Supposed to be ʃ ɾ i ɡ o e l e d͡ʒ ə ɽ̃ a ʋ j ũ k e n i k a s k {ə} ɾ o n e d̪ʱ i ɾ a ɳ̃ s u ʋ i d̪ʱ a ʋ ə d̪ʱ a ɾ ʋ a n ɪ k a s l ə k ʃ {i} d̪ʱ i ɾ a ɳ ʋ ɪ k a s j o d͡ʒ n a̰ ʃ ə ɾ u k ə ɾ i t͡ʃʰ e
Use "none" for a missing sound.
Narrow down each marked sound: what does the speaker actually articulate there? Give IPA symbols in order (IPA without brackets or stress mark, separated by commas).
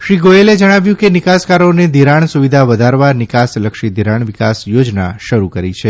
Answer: a, i